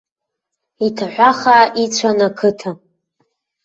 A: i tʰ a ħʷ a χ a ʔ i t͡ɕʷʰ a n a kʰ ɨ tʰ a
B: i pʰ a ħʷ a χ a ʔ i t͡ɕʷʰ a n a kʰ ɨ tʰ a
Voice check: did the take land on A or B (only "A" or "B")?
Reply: A